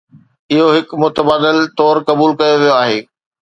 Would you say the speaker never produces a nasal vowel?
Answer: yes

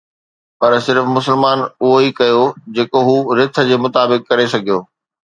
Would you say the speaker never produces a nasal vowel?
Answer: yes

